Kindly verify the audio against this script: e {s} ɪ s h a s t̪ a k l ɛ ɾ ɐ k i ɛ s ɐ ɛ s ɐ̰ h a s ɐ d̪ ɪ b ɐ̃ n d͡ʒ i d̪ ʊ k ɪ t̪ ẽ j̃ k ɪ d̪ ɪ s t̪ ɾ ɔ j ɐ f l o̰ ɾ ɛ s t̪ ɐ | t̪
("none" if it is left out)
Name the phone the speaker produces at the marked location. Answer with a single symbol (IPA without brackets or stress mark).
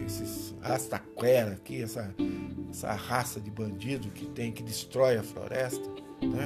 s